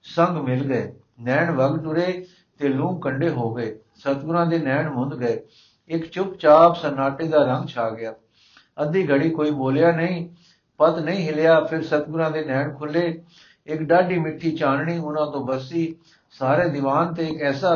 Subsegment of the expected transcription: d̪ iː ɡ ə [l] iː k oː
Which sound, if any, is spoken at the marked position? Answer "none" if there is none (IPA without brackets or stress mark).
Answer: ɽ